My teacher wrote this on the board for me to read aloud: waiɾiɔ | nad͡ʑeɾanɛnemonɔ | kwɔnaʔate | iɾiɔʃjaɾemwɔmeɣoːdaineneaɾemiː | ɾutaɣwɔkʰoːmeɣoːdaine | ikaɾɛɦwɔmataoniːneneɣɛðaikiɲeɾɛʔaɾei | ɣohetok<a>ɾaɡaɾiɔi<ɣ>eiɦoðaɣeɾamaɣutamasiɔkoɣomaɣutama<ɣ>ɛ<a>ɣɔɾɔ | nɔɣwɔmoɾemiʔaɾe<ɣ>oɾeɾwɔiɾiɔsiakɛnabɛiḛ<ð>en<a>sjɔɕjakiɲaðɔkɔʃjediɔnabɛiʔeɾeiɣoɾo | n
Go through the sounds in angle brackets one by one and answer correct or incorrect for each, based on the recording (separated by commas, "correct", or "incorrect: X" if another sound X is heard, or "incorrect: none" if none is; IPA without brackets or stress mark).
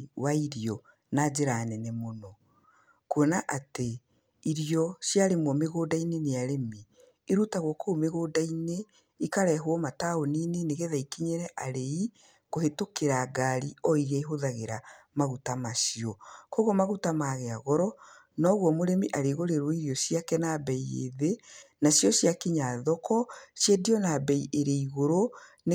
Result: incorrect: e, correct, correct, correct, correct, correct, correct